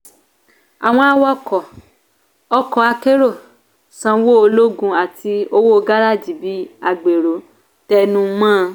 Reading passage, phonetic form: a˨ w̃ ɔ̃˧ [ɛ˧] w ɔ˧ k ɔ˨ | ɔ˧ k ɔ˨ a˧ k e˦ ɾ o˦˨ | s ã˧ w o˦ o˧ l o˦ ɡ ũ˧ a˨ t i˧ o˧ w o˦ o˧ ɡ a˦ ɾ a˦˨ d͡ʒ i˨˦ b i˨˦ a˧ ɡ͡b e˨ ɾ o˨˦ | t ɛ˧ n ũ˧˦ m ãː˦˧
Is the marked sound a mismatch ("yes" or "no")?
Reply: yes